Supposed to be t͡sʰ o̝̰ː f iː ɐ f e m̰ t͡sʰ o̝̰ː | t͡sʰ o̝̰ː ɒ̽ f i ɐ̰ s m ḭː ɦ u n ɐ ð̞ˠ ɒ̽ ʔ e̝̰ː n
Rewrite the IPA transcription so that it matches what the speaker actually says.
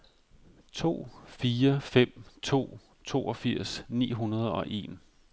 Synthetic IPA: t͡sʰ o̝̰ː f iː ɐ f e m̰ t͡sʰ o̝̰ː | t͡sʰ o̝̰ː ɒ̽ f i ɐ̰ s n ḭː ɦ u n ɐ ð̞ˠ ɒ̽ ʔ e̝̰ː n